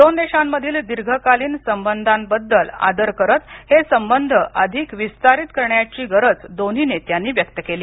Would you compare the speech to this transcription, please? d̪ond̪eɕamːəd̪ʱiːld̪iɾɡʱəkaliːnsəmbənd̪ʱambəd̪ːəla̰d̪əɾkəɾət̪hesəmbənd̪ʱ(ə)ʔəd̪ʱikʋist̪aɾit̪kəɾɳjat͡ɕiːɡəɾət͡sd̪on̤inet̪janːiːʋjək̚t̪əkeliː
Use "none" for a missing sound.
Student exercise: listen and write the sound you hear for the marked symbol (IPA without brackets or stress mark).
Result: ə